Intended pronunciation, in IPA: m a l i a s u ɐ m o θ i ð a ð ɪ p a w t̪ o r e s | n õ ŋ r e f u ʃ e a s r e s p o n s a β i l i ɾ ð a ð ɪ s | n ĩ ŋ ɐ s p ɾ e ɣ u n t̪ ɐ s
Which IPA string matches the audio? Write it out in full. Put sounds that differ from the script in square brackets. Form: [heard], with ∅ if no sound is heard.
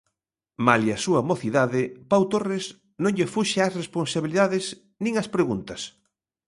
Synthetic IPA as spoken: m a l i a s u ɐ m o θ i ð a ð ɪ p a w t̪ o r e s | n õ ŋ [ʎ] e f u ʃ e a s r e s p o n s a β i l i [∅] ð a ð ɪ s | n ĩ ŋ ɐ s p ɾ e ɣ u n t̪ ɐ s